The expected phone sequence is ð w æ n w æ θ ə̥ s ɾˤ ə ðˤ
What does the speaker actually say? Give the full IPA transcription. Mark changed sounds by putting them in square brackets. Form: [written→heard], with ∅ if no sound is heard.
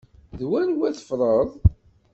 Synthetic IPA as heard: ð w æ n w æ θ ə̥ [s→f] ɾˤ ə ðˤ